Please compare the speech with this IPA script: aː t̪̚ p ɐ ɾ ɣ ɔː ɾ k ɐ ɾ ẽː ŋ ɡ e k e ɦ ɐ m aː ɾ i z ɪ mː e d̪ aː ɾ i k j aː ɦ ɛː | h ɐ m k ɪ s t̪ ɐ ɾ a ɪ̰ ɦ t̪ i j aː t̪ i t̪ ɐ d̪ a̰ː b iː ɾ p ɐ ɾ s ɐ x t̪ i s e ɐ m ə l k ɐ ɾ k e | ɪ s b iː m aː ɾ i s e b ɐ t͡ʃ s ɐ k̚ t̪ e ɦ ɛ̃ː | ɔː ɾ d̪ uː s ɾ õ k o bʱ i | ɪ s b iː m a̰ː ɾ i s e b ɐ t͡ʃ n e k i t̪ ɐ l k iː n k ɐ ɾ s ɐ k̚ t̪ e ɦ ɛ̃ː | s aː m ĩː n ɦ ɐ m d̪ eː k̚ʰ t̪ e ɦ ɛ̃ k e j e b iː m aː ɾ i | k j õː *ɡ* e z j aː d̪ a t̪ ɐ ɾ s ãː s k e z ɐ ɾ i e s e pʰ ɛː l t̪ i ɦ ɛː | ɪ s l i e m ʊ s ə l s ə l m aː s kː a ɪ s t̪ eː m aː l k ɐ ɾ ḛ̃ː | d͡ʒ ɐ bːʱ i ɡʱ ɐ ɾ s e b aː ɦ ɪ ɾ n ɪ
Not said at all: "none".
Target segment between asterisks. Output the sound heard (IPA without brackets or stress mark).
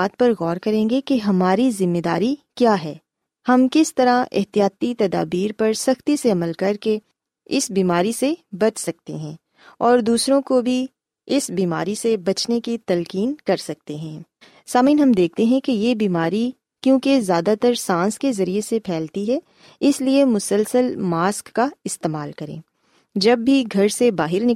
k